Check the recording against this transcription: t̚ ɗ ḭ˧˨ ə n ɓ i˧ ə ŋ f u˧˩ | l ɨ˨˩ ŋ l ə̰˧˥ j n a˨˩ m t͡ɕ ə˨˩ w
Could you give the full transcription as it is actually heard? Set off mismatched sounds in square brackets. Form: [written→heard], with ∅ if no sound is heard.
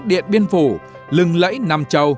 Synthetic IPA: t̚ ɗ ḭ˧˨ ə n ɓ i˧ ə [ŋ→n] f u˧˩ | l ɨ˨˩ ŋ l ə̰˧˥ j n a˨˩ m t͡ɕ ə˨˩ w